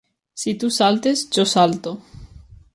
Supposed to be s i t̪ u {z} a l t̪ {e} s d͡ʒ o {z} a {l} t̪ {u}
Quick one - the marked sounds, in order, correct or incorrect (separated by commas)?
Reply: incorrect, correct, incorrect, correct, incorrect